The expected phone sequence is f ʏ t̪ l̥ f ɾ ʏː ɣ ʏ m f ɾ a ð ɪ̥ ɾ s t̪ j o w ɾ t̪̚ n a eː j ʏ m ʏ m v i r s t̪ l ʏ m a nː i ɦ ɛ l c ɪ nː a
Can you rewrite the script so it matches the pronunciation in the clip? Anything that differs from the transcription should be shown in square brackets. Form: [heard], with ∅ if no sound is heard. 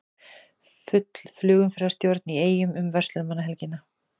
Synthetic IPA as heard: f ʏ t̪ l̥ f [l] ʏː ɣ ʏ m f ɾ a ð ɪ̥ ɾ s t̪ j o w ɾ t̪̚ n [i] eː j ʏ m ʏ m v [ɛ] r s t̪ l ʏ m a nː [a] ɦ ɛ l c ɪ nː a